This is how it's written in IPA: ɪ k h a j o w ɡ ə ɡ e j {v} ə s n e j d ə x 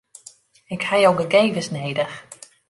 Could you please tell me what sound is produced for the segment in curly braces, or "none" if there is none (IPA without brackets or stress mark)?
v